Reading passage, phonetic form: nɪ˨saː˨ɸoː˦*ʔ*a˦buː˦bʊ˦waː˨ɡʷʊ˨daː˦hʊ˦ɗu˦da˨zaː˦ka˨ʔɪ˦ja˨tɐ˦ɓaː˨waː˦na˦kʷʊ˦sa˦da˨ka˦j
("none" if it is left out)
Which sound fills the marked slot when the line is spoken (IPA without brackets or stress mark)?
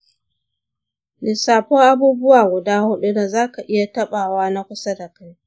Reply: ʔ